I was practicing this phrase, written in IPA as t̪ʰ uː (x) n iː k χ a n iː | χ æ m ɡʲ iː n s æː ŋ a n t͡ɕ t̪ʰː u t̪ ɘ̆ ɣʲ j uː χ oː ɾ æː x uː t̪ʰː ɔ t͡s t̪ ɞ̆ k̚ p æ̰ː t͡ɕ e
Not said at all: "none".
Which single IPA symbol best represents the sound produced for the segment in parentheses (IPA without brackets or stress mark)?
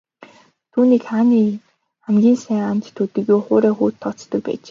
none